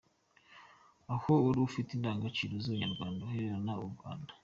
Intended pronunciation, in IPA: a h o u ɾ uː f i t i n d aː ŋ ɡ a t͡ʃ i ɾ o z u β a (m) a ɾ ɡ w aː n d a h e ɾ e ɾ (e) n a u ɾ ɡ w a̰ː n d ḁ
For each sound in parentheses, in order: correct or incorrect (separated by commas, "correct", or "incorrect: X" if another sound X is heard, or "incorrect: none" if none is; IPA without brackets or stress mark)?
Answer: incorrect: ɲ, incorrect: a